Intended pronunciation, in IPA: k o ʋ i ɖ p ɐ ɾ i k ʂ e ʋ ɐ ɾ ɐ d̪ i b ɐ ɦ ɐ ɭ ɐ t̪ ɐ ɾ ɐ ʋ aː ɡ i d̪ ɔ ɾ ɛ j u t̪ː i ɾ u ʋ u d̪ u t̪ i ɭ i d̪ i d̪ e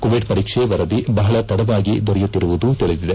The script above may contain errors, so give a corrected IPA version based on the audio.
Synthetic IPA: k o ʋ i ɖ p ɐ ɾ iː k ʂ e ʋ ɐ ɾ ɐ d̪ i b ɐ ɦ ɐ ɭ ɐ t̪ ɐ ɽ ɐ ʋ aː ɡ i d̪ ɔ ɾ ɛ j u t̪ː i ɾ u ʋ u d̪ u t̪ i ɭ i d̪ i d̪ e